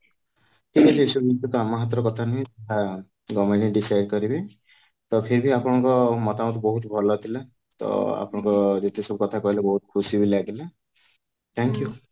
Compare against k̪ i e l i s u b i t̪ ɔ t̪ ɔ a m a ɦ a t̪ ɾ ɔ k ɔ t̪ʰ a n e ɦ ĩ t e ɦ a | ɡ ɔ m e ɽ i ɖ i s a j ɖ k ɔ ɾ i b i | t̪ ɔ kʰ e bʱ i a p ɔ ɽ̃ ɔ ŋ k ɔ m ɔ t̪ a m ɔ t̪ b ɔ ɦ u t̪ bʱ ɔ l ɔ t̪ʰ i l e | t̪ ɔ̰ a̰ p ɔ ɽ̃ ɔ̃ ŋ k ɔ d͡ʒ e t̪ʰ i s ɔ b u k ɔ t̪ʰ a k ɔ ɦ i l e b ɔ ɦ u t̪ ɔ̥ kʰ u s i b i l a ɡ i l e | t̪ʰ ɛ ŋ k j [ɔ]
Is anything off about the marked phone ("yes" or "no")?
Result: yes